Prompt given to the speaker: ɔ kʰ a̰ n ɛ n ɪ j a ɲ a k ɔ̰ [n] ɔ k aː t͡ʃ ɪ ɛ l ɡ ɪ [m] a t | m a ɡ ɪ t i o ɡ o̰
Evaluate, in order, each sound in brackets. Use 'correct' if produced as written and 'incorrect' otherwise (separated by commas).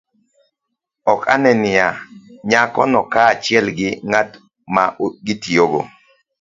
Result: correct, incorrect